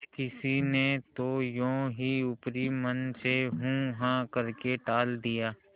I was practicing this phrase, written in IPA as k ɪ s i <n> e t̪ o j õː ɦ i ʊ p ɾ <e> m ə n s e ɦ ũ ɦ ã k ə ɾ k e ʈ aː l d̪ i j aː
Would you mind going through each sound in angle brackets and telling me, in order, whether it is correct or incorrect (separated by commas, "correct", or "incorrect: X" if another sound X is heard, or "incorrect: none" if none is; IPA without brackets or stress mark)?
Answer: correct, incorrect: i